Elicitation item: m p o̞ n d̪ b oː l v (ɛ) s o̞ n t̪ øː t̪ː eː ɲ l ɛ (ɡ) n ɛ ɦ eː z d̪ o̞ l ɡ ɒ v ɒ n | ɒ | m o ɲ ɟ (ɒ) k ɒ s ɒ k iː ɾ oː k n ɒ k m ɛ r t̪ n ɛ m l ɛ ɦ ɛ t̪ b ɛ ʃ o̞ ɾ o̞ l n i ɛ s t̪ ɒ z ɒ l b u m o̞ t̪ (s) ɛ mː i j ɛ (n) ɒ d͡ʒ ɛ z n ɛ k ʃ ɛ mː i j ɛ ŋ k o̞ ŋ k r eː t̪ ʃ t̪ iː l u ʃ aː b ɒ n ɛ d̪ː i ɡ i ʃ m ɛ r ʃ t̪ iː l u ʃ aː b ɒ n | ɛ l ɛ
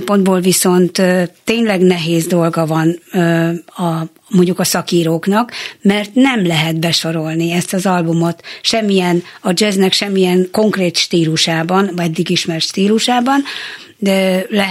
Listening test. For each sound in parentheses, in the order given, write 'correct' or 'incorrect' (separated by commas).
incorrect, correct, incorrect, incorrect, correct